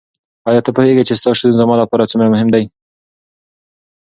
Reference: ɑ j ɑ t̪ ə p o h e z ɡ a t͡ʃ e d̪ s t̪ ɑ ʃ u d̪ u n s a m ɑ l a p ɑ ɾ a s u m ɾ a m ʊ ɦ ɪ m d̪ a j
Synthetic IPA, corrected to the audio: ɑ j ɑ t̪ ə p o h e ɡ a t͡ʃ e s t̪ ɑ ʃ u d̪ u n z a m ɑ l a p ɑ ɾ a t͡s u m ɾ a m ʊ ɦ ɪ m d̪ a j